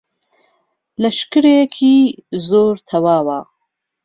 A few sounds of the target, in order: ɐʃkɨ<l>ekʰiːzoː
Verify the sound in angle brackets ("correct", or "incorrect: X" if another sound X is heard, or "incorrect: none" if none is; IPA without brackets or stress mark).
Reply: incorrect: ɾ